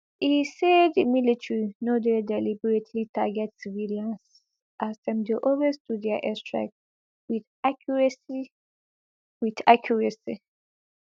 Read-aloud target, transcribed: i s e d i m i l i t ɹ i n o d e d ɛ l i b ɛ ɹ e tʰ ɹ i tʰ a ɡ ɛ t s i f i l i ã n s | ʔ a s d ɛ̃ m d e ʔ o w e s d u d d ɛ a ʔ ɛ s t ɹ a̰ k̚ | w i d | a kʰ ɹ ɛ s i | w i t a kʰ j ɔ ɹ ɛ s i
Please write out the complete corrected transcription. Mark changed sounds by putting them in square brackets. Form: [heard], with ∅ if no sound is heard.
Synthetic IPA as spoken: i s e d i m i l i t ɹ i n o d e d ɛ l i b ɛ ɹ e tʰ [l] i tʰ a ɡ ɛ t s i [v] i l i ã n s | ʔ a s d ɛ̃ m d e ʔ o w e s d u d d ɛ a ʔ ɛ s t ɹ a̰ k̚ | w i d | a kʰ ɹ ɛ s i | w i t a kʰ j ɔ ɹ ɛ s i